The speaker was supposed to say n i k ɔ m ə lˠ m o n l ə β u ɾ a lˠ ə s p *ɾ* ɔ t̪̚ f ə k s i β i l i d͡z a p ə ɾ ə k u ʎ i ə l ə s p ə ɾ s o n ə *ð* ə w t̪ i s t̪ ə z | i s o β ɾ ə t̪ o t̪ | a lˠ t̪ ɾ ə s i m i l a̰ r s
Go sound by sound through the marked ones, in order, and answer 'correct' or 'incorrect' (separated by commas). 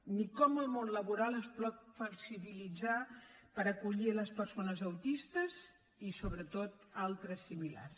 incorrect, incorrect